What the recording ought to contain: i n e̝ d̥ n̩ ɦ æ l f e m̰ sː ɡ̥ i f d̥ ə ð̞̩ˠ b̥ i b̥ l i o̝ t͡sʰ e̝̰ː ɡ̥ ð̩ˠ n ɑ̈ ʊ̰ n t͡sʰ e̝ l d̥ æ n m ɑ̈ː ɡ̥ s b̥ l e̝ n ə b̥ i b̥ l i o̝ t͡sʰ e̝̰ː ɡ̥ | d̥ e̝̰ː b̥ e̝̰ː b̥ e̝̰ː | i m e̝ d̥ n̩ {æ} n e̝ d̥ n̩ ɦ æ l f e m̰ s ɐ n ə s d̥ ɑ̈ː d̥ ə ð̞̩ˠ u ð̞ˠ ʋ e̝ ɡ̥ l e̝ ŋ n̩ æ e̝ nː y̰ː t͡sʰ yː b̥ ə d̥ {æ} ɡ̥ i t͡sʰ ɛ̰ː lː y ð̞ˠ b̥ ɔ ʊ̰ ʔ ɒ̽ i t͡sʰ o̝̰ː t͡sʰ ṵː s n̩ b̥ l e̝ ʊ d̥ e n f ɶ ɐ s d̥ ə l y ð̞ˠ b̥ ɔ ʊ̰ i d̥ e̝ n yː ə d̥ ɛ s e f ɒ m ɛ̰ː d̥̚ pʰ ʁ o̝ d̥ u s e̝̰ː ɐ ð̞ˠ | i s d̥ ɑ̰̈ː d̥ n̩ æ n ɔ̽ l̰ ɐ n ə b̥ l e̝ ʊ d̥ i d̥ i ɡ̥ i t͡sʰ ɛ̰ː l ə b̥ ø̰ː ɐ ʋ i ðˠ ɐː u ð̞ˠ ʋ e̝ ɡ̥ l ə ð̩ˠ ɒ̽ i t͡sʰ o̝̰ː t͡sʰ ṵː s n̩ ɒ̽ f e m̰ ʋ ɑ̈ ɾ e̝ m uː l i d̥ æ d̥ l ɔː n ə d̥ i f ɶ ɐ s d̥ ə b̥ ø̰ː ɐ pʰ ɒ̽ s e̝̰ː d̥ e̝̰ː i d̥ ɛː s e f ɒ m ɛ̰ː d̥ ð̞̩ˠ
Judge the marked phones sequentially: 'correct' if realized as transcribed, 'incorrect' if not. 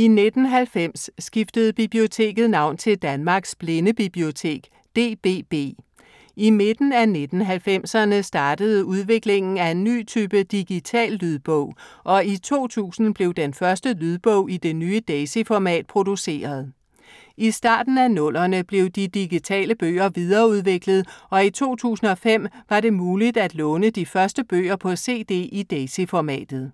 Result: correct, incorrect

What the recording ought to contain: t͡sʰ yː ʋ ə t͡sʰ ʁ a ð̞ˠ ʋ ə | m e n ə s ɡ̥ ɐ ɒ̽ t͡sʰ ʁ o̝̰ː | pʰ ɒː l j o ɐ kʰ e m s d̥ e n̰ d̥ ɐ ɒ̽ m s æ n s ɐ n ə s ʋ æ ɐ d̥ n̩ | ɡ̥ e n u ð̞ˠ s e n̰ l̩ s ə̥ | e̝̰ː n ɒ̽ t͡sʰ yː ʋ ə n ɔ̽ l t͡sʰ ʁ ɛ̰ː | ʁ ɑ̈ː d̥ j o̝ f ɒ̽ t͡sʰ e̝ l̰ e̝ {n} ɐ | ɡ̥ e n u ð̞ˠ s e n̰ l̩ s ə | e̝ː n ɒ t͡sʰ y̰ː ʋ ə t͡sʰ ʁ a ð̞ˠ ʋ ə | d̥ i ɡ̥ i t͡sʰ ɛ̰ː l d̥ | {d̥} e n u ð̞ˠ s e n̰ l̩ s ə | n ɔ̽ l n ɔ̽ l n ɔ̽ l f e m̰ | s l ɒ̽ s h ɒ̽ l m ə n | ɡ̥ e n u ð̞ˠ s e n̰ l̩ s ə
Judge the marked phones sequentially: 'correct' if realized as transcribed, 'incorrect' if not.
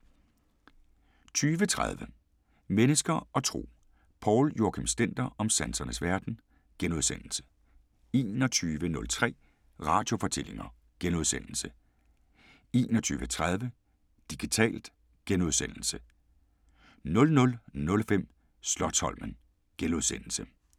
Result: incorrect, incorrect

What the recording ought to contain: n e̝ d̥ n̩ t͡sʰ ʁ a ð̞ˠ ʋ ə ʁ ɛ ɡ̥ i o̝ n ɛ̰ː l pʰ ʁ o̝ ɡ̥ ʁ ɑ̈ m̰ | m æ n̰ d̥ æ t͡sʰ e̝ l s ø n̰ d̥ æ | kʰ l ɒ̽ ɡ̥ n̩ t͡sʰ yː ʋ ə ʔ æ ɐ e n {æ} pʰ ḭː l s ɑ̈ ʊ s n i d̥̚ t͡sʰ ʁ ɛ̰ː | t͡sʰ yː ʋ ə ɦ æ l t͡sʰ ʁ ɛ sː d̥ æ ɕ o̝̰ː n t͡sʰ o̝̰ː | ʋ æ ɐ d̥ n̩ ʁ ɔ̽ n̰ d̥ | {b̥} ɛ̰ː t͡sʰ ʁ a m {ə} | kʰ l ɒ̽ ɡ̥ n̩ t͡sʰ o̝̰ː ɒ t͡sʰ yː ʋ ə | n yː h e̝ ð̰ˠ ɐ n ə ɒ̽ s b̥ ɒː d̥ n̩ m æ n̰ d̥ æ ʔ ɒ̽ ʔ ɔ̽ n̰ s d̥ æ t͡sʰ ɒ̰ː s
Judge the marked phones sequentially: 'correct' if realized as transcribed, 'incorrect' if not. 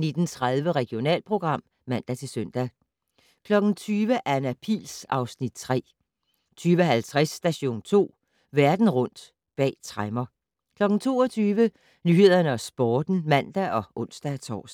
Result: correct, correct, incorrect

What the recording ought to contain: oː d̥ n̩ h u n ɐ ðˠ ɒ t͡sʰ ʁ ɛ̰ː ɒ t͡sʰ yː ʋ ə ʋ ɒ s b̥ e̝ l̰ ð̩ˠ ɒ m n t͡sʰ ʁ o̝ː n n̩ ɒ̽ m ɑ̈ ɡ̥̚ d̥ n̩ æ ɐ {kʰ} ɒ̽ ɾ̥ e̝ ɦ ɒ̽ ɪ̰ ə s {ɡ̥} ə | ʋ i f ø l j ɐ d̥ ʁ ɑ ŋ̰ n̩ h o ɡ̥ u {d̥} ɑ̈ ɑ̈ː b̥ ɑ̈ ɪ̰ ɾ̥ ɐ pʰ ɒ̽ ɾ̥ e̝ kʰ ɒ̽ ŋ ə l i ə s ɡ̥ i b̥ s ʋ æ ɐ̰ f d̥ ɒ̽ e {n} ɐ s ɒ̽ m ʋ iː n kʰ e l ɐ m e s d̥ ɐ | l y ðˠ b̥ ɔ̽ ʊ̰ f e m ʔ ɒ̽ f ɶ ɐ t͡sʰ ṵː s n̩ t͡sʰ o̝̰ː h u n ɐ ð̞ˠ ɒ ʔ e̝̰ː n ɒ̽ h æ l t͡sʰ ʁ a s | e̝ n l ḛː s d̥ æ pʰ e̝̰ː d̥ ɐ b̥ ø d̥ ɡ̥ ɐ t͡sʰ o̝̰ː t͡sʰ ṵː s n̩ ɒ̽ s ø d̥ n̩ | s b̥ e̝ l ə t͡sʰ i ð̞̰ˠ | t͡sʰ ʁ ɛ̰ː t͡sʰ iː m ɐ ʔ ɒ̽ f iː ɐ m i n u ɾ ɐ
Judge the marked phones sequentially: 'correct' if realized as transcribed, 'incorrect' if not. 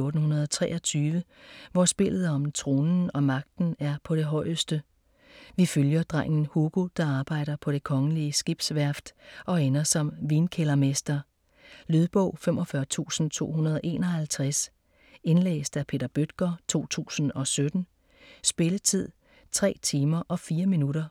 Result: incorrect, incorrect, correct, correct

